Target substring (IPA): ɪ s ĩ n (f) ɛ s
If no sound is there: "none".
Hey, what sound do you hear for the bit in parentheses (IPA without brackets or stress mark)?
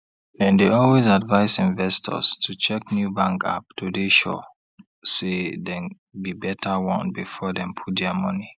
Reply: v